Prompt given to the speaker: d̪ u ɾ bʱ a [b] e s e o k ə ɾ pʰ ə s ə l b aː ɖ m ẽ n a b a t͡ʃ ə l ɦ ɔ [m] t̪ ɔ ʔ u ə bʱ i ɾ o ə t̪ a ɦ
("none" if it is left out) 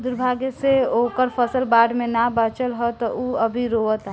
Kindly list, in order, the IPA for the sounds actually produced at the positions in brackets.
ɡ, none

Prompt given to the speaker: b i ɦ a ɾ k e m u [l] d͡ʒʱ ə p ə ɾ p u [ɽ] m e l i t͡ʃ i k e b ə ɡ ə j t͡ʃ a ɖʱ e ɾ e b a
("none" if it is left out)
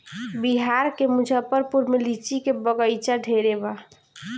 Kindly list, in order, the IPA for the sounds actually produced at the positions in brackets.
none, ɾ

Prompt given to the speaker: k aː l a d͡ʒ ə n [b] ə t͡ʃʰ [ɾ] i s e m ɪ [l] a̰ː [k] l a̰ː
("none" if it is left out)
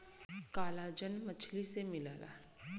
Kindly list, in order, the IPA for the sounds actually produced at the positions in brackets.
m, l, l, none

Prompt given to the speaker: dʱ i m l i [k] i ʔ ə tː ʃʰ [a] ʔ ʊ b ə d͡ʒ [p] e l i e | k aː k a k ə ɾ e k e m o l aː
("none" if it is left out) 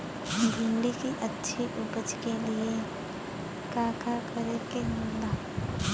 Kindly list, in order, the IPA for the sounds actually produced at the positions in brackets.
k, i, k

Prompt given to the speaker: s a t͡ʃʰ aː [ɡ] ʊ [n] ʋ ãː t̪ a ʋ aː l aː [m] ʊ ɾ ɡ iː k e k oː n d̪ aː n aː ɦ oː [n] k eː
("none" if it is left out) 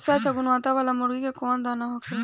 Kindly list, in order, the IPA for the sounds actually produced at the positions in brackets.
ɡ, n, m, none

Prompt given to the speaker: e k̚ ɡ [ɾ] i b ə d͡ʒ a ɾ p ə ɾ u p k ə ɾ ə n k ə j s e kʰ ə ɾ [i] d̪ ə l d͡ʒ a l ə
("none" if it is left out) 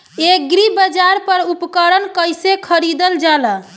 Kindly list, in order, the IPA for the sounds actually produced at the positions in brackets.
ɾ, i

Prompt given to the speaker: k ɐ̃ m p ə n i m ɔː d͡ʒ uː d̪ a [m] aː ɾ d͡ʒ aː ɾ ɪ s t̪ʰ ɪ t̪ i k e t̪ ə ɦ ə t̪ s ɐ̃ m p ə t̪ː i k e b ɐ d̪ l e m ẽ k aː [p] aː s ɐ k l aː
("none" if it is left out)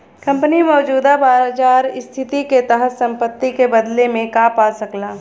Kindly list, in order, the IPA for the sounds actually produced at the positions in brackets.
b, p

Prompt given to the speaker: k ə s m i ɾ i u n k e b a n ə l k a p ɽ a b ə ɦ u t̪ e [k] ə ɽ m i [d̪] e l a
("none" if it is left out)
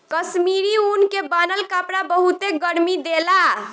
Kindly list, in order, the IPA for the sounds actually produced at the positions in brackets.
ɡ, d̪

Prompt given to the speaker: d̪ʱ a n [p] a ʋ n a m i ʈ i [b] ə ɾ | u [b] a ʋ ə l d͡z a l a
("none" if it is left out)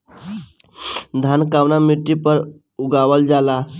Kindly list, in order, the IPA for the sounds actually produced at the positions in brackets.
k, p, ɡ

